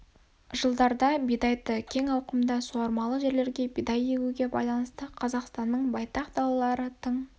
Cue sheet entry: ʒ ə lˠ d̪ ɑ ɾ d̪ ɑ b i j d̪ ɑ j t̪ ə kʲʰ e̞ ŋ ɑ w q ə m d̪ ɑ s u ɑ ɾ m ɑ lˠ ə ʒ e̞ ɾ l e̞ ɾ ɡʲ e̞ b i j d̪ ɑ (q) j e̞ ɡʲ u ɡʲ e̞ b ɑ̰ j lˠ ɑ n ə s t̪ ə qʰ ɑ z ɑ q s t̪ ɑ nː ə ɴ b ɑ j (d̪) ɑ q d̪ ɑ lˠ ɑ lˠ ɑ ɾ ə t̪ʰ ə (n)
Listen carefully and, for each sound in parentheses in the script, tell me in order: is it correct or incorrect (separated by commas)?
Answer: incorrect, incorrect, incorrect